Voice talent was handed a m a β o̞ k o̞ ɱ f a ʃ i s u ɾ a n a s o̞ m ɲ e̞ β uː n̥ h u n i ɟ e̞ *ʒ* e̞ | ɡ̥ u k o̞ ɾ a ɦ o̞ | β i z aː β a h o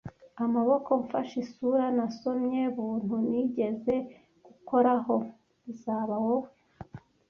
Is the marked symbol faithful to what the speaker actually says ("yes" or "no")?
no